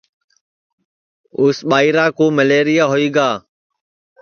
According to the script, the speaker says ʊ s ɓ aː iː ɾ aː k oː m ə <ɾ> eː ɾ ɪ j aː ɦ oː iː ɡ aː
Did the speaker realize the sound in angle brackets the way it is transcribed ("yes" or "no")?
no